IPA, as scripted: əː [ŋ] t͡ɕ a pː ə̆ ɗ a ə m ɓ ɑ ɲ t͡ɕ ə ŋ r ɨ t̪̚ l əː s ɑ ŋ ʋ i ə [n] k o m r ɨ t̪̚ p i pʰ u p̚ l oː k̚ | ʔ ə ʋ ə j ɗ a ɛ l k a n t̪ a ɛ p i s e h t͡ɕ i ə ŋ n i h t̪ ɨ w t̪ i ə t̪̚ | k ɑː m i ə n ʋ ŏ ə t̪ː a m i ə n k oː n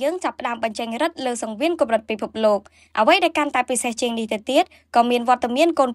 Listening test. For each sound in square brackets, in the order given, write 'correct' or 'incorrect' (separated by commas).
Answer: correct, correct